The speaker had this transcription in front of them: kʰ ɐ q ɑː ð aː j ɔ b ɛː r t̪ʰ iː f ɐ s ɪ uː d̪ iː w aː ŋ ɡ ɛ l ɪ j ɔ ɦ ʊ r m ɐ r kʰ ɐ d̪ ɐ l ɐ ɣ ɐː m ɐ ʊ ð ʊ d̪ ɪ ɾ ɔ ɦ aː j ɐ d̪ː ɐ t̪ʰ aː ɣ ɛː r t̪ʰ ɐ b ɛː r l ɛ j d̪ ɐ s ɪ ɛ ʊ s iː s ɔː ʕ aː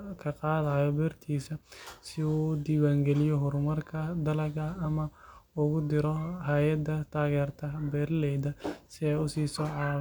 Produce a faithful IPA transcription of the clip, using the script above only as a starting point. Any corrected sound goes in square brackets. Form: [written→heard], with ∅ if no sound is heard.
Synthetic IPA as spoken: kʰ ɐ q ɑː ð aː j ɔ b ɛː r t̪ʰ iː [f→s] ɐ s ɪ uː d̪ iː w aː ŋ ɡ ɛ l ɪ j ɔ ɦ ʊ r m ɐ r kʰ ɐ d̪ ɐ l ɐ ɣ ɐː m ɐ ʊ [ð→ɣ] ʊ d̪ ɪ ɾ ɔ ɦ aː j ɐ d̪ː ɐ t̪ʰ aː ɣ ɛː r t̪ʰ ɐ b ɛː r l ɛ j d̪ ɐ s ɪ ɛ ʊ s iː s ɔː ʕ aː